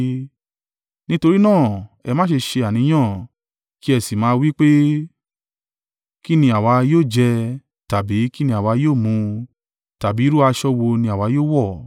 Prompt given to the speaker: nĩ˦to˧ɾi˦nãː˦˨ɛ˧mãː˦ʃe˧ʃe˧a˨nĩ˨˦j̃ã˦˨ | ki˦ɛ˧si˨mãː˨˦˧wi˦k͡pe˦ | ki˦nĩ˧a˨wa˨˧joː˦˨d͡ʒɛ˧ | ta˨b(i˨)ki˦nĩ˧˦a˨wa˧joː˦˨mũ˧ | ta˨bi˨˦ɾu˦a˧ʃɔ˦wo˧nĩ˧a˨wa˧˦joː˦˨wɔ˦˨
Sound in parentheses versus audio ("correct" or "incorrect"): incorrect